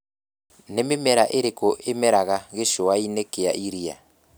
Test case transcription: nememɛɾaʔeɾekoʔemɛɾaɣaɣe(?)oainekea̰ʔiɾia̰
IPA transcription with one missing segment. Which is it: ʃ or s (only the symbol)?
ʃ